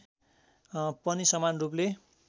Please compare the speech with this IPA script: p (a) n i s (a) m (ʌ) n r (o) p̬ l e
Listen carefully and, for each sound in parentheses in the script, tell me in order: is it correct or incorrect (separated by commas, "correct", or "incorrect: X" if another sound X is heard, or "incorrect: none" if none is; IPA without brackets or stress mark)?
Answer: incorrect: ʌ, incorrect: ʌ, incorrect: a, incorrect: u